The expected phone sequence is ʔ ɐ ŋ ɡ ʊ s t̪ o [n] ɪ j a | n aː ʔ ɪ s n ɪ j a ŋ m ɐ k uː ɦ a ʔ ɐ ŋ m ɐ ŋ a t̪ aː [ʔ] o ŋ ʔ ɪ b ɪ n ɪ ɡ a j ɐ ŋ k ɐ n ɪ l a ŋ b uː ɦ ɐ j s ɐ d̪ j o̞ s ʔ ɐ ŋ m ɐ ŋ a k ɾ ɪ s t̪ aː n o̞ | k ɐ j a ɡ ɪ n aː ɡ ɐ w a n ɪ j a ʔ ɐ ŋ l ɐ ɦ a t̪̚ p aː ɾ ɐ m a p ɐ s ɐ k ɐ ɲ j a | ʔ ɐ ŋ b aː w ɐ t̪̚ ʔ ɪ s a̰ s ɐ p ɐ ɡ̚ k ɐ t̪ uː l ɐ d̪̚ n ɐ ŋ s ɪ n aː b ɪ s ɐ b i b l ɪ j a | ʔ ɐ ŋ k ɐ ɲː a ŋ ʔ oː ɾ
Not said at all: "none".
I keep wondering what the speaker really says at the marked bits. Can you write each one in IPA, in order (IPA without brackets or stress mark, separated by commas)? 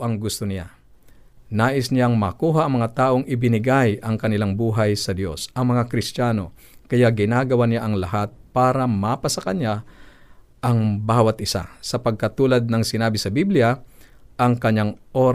n, ʔ